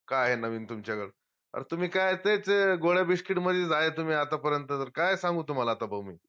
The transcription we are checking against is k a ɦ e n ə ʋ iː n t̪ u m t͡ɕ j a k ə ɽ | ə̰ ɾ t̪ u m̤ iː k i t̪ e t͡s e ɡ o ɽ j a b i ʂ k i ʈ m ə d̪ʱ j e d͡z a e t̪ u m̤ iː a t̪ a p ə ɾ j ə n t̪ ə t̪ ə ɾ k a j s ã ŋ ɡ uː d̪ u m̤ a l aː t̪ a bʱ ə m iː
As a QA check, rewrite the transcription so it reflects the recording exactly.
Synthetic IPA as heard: k a ɦ e n ə ʋ iː n t̪ u m t͡ɕ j a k ə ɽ | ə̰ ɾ t̪ u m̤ iː k a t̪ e t͡s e ɡ o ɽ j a b i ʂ k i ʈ m ə d̪ʱ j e d͡z a e t̪ u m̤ iː a t̪ a p ə ɾ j ə n t̪ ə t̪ ə ɾ k a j s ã ŋ ɡ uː t̪ u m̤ a l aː t̪ a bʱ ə m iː